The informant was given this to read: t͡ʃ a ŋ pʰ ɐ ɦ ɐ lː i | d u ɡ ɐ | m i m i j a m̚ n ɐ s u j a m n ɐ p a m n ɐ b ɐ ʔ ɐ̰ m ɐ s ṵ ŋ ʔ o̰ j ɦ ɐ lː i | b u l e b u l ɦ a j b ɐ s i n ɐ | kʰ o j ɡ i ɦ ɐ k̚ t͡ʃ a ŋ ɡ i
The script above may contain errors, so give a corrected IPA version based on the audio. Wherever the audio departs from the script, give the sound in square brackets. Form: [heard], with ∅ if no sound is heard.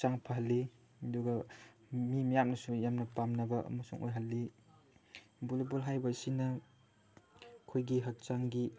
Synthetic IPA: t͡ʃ a ŋ pʰ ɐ ɦ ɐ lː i | d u ɡ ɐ | m i m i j a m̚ n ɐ s u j a m n ɐ p a m n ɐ b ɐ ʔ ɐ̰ m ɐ s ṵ ŋ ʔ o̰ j ɦ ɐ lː i | b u l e b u l ɦ a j b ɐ s i n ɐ | kʰ o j ɡ i ɦ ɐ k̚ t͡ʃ a ŋ ɡ i